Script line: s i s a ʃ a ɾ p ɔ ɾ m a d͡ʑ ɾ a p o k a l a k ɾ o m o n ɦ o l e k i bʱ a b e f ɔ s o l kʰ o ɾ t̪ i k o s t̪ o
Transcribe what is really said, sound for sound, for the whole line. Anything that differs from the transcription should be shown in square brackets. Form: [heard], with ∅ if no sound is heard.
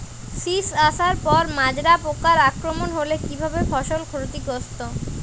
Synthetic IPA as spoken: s i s a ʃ a ɾ p ɔ ɾ m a d͡ʑ ɾ a p o k a [ɾ] a k ɾ o m o n ɦ o l e k i bʱ a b e f ɔ [ʃ] o l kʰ o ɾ t̪ i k o s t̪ o